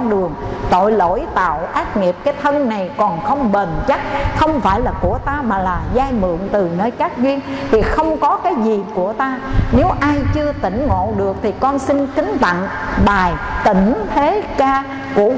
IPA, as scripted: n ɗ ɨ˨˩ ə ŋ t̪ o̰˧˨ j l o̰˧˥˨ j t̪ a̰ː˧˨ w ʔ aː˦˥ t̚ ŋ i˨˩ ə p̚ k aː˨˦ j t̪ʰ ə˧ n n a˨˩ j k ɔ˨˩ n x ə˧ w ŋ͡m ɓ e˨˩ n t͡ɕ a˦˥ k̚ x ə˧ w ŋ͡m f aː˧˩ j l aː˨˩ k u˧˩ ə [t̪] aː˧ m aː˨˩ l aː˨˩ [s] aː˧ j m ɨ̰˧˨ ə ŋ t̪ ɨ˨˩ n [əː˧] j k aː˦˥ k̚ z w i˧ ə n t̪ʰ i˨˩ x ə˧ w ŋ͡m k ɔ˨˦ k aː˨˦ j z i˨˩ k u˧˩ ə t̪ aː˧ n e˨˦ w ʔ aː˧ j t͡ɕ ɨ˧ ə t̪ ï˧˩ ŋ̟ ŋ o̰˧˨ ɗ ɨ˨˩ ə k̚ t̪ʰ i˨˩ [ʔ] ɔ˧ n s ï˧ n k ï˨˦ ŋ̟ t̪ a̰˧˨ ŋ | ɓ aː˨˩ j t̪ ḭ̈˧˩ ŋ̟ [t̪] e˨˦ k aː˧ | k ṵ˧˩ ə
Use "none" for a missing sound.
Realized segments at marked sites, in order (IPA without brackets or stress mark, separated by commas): t̪, z, əː˧, k, t̪ʰ